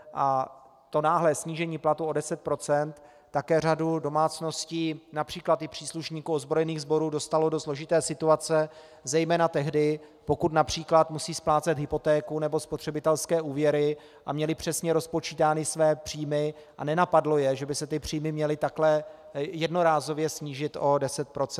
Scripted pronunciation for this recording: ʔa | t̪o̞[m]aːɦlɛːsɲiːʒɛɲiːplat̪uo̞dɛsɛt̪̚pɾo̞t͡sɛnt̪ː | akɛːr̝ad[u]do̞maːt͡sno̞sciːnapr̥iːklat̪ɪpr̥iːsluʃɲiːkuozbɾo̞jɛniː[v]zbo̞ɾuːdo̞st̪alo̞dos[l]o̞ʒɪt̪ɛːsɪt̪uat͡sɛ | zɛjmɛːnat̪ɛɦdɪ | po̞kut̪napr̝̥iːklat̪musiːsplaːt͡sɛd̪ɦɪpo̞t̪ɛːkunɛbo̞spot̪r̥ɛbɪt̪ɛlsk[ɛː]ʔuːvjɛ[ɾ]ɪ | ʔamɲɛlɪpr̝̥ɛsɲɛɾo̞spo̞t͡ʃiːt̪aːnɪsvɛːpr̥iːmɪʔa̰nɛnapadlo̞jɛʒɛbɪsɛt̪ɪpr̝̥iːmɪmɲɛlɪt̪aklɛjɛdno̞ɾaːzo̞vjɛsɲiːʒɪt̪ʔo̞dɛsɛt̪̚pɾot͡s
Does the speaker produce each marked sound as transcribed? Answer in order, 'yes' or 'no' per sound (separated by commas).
no, yes, no, yes, yes, yes